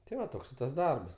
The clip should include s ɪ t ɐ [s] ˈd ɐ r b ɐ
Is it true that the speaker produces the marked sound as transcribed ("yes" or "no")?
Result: yes